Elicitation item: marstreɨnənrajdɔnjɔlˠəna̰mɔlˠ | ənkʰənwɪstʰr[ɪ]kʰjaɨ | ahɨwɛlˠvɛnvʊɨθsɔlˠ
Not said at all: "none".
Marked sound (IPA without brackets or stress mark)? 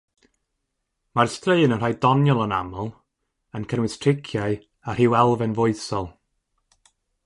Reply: ɪ